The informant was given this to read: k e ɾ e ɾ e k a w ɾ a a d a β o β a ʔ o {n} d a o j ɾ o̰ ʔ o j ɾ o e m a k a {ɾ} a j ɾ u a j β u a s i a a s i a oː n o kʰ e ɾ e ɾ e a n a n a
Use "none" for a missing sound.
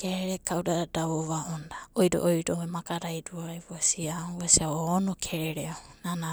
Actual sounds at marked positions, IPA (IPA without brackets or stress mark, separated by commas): n, ɾ